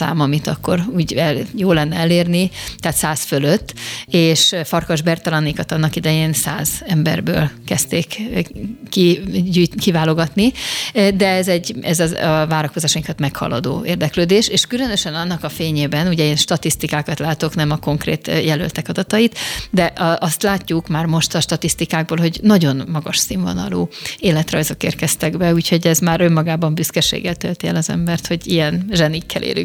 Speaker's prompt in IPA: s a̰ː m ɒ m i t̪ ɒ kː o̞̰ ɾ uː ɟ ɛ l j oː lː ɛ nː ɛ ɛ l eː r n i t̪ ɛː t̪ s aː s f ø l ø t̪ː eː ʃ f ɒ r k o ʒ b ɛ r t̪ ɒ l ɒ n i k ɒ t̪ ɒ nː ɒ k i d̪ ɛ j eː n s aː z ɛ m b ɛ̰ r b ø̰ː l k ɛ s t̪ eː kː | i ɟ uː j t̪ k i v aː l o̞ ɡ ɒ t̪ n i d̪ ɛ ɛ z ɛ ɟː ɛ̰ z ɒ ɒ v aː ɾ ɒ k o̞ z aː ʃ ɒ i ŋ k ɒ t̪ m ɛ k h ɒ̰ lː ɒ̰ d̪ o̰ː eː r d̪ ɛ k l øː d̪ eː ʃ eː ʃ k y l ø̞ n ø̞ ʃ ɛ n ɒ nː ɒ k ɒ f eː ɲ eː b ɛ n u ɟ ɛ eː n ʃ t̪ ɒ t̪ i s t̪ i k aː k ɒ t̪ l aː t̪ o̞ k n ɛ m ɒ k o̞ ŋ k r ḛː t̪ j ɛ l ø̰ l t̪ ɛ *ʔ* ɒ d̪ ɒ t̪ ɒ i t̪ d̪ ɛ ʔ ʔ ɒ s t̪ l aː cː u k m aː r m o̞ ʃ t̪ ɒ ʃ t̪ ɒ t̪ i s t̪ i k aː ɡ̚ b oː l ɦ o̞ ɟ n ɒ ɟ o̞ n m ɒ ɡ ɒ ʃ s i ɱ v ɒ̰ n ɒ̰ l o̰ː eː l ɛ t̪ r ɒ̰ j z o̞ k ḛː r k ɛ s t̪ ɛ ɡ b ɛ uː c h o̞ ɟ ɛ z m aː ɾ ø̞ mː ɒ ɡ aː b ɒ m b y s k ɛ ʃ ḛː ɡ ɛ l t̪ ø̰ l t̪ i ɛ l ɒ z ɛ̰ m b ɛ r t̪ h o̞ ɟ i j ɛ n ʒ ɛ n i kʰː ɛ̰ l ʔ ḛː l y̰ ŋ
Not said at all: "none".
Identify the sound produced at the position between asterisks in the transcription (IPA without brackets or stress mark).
k